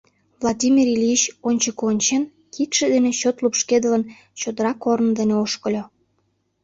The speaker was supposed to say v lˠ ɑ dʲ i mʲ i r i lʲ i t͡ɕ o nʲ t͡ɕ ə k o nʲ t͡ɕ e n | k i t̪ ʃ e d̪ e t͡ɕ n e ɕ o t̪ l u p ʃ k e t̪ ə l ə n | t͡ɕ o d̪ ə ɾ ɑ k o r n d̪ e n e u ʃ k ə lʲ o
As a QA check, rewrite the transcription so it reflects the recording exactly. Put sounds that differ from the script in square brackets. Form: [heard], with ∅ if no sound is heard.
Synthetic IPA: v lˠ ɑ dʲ i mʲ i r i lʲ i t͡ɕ o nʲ t͡ɕ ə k o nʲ t͡ɕ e n | k i t̪ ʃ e d̪ e [∅] n e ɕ o t̪ l u p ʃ k e [d̪] ə l ə n | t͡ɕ o d̪ ə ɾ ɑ k o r n d̪ e n e [o] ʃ k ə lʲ o